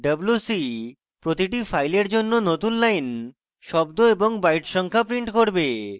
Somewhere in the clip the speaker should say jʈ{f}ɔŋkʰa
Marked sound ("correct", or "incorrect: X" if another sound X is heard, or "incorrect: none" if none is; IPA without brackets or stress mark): incorrect: ʃ